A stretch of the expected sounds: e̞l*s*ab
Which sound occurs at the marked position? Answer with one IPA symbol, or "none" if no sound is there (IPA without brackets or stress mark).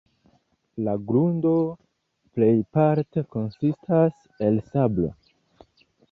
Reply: s